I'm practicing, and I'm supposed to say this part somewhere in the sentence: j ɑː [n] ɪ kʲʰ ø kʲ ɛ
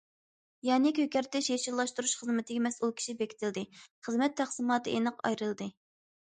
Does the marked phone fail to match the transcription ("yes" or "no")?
no